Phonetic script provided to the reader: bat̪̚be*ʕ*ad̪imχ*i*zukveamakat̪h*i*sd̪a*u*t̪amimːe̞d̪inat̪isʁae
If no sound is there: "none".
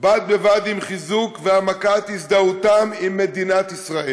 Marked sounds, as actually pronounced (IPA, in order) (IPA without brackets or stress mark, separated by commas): v, i, i, u